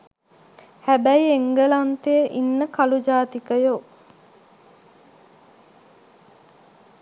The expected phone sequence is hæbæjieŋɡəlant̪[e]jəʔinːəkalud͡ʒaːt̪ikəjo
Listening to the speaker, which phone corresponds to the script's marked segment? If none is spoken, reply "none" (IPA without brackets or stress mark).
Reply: e